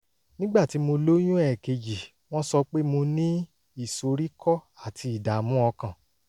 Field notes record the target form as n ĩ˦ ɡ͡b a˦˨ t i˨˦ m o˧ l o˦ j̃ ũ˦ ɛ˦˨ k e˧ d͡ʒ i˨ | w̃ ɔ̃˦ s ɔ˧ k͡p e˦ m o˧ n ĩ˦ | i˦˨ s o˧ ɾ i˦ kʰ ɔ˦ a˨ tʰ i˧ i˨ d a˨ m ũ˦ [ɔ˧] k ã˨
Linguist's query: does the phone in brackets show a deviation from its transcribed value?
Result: no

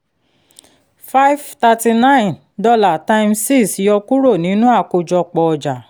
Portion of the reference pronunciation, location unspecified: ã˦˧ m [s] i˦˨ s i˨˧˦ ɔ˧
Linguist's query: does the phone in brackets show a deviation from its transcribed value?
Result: no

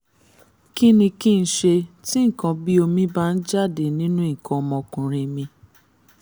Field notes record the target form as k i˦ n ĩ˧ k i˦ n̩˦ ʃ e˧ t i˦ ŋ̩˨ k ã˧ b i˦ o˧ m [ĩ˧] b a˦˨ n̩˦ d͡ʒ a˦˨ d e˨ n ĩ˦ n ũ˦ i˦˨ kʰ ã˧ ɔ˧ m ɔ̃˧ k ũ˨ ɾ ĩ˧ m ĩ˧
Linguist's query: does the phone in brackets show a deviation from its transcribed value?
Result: no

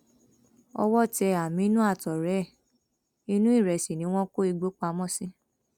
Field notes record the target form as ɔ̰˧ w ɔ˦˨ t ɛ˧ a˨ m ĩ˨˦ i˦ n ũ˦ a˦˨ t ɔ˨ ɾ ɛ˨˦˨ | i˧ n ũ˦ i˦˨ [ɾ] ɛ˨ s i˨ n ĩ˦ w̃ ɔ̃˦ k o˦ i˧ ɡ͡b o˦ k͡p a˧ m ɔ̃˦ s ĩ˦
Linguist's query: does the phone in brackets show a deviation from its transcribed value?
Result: no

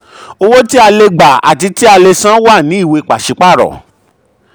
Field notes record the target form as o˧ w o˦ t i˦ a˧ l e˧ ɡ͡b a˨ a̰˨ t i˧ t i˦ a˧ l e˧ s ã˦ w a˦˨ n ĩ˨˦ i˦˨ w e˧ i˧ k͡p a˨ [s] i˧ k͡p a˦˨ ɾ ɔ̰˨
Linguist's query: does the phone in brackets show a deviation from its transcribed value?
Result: yes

